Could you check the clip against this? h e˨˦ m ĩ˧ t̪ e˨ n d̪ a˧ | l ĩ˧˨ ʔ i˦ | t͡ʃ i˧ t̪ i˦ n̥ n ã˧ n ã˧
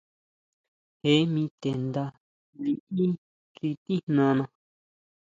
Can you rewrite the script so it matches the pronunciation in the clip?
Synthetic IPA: h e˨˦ m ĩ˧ t̪ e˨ n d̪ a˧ | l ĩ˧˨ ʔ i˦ | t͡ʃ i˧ t̪ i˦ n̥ n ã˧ n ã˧

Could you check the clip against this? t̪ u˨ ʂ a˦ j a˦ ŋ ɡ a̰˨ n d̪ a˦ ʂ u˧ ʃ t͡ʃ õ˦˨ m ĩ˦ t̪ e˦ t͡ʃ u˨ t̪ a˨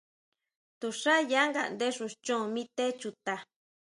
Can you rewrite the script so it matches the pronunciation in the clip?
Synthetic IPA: t̪ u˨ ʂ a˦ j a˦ ŋ ɡ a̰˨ n d̪ e˦ ʂ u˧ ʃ t͡ʃ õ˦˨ m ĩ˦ t̪ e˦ t͡ʃ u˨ t̪ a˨

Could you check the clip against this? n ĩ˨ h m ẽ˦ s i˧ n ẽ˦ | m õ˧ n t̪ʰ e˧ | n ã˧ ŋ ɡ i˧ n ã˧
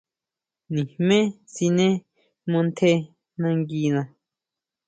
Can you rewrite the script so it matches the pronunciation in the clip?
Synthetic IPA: n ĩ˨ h m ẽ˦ s i˧ n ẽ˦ | m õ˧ n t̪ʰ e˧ | n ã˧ ŋ ɡ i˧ n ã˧

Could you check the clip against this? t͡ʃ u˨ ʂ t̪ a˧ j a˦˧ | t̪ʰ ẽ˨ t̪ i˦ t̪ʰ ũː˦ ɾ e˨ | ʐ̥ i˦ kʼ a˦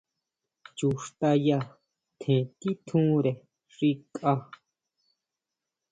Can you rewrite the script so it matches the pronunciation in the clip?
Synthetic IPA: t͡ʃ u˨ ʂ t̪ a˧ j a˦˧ | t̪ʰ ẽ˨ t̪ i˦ t̪ʰ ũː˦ ɾ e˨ | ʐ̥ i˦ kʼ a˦

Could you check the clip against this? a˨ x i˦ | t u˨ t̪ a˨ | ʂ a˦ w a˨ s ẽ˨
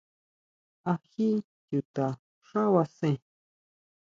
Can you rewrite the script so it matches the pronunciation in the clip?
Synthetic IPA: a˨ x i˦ | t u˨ t̪ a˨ | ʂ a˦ w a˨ s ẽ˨

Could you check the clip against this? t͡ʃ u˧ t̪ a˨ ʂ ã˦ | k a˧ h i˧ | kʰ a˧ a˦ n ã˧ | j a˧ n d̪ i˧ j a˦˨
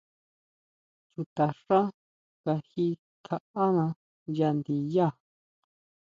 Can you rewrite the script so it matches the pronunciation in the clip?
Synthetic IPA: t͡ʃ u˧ t̪ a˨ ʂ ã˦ | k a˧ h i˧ | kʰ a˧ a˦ n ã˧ | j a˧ n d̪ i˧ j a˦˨

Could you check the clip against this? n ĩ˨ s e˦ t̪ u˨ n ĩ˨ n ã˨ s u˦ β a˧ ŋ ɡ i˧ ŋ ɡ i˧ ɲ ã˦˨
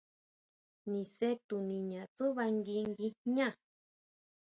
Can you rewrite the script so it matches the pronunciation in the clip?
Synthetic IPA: n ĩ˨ s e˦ t̪ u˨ n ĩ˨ ɲ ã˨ t͡s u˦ β a˧ ŋ ɡ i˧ ŋ ɡ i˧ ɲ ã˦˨

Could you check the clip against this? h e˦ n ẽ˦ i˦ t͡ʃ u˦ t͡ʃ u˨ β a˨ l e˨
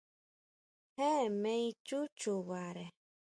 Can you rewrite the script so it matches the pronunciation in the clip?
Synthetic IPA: h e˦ m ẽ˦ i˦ t͡ʃ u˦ t͡ʃ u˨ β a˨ ɾ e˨

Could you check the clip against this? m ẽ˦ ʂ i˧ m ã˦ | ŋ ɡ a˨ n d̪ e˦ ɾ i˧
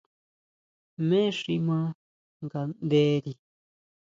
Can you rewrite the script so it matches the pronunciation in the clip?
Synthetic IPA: m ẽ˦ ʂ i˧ m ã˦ | ŋ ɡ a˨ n d̪ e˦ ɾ i˧

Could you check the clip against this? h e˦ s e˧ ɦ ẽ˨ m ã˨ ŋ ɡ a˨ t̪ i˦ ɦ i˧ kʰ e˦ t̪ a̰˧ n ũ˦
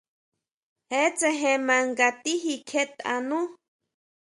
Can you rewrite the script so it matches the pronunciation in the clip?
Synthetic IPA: h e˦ t͡s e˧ ɦ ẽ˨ m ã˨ ŋ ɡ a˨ t̪ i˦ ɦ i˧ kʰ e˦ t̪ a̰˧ n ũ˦

